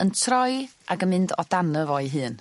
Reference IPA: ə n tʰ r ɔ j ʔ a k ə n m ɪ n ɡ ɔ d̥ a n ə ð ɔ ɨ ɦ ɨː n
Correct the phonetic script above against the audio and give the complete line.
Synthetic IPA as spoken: ə n tʰ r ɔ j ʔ a ɡ ə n m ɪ n d ɔ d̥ a n ə v ɔ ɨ ɦ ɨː n